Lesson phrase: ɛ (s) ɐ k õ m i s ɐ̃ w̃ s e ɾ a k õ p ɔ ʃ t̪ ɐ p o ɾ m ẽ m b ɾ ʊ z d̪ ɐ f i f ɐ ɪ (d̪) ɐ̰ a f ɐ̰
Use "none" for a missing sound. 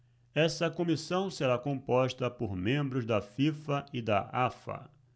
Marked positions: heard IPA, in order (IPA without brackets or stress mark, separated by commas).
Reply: s, d̪